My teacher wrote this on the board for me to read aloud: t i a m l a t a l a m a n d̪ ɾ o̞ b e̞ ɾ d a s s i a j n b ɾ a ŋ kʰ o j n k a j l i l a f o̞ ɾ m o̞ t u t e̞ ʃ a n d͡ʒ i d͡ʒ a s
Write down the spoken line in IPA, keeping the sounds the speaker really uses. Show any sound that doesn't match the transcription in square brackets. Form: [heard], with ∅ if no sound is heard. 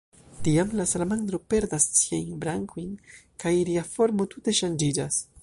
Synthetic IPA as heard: t i a m l a [s] a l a m a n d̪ ɾ o̞ [p] e̞ ɾ d a s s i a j n b ɾ a ŋ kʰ o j n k a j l i [∅] a f o̞ ɾ m o̞ t u t e̞ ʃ a n d͡ʒ i d͡ʒ a s